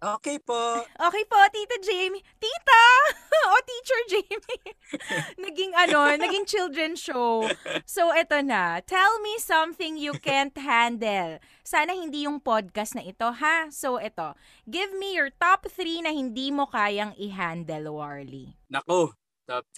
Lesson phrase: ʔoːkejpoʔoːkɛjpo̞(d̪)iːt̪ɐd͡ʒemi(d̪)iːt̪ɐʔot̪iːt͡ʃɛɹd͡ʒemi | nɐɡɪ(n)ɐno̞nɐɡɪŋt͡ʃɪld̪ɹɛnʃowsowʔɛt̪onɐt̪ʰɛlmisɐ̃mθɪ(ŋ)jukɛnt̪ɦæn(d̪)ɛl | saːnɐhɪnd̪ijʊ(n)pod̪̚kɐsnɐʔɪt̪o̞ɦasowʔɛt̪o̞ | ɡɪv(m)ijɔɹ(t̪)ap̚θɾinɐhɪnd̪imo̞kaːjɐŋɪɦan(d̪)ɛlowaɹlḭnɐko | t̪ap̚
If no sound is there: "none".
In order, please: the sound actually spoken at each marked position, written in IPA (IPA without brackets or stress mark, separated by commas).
t̪, t̪, ŋ, ŋ, d̪, ŋ, m, t̪, d̪